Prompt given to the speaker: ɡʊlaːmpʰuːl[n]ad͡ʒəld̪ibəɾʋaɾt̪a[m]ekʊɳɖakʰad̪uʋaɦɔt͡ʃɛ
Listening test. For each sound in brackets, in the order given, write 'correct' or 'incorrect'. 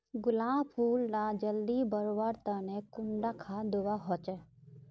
correct, incorrect: n

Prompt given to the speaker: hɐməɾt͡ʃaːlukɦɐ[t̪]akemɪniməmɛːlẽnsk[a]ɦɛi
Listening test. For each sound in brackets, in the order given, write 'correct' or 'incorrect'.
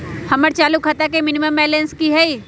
correct, incorrect: i

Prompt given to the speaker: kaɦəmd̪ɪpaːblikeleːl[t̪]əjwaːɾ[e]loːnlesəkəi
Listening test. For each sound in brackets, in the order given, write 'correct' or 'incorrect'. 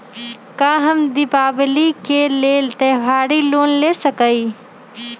correct, incorrect: i

